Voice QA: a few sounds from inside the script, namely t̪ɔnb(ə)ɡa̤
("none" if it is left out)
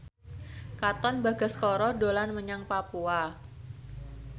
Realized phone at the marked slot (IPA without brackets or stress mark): a